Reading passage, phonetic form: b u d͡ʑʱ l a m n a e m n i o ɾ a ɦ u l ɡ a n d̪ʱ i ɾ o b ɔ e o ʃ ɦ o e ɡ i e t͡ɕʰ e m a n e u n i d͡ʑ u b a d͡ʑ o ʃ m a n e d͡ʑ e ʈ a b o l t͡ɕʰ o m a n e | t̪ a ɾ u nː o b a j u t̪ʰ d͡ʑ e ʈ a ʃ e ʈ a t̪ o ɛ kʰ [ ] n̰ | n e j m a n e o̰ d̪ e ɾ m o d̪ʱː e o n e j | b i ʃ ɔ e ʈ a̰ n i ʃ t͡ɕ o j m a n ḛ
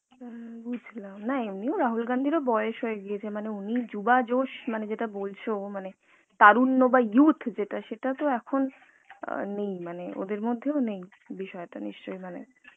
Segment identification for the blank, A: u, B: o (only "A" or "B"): B